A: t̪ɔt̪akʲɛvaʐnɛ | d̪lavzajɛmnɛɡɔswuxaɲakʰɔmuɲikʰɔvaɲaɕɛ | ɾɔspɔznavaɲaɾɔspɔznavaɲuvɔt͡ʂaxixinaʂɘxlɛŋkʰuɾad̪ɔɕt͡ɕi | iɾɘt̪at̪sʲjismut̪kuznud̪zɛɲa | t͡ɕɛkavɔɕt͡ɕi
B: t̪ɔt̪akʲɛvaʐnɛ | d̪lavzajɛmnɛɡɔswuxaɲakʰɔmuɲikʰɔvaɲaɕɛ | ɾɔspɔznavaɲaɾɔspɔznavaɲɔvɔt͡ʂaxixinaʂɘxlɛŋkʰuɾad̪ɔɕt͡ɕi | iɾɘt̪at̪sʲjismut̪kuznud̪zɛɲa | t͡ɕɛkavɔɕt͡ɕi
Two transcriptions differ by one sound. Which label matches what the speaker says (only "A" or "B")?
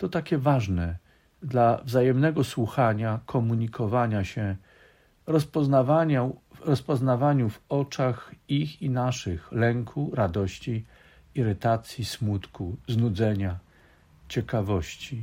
A